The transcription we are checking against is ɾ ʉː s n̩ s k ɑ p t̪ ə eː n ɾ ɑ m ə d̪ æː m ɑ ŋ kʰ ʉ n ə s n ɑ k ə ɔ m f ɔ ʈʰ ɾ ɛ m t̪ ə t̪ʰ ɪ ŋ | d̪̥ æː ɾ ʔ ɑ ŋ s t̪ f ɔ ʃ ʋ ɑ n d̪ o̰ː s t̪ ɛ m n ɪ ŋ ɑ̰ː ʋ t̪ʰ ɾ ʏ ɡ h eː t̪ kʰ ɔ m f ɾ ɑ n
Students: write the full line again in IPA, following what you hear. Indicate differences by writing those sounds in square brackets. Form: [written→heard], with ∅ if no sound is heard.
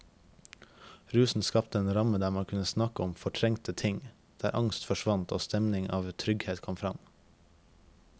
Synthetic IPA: ɾ ʉː s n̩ s k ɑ p t̪ ə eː n ɾ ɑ m ə d̪ æː m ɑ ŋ kʰ ʉ n ə s n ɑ k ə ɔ m f ɔ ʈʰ ɾ ɛ [m→ŋ] t̪ ə t̪ʰ ɪ ŋ | d̪̥ æː ɾ ʔ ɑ ŋ s t̪ f ɔ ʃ ʋ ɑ n [d̪→t̪] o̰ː s t̪ ɛ m n ɪ ŋ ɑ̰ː ʋ t̪ʰ ɾ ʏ ɡ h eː t̪ kʰ ɔ m f ɾ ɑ [n→m]